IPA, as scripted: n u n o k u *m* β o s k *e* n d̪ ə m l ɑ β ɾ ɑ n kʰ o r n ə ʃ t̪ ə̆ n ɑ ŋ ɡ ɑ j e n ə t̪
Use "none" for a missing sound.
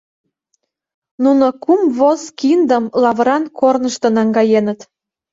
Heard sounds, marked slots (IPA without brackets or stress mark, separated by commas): m, i